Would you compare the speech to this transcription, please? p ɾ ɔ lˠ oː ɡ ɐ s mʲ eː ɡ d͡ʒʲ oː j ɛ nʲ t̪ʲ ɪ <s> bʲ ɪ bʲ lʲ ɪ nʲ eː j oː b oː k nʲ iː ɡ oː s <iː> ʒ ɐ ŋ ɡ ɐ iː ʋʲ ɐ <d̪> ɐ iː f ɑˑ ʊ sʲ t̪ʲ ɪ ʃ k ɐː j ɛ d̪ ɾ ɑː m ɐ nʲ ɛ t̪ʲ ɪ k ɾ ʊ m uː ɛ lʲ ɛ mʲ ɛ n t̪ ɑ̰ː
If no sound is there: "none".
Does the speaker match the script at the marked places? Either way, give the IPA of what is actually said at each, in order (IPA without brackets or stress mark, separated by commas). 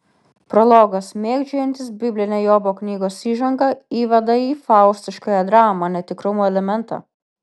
s, iː, d̪